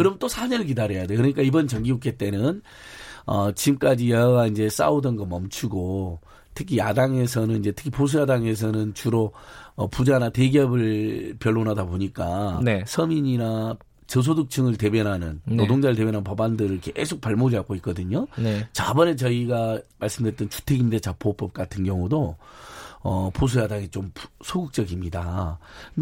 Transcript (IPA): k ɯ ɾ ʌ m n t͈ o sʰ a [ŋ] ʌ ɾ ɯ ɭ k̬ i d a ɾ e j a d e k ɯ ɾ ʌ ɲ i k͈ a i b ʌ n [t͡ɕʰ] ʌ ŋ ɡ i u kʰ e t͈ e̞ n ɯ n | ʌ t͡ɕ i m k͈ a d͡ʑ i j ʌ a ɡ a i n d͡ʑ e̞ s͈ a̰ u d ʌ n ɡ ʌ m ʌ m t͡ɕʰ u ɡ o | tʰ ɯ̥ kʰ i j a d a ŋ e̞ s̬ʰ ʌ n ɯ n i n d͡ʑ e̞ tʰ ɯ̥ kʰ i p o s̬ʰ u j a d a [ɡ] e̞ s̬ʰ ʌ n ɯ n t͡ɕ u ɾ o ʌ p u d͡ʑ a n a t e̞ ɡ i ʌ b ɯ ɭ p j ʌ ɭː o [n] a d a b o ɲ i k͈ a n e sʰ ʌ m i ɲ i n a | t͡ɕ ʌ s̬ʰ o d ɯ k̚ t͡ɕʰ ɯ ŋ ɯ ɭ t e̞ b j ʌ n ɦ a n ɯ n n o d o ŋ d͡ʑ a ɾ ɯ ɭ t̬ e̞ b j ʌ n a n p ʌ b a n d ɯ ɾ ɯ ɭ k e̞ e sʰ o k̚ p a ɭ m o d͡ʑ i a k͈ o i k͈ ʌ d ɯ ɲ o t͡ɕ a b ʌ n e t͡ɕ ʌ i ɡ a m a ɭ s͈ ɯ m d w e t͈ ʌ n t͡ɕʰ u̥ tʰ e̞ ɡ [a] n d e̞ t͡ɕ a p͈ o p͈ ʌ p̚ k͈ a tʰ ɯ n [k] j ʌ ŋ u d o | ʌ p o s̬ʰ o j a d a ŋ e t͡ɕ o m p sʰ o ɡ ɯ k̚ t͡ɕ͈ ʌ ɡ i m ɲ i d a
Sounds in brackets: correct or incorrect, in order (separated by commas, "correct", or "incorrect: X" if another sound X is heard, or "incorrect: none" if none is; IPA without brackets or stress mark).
incorrect: ɲ, incorrect: t͡ɕ, incorrect: ŋ, correct, incorrect: i, incorrect: ɡ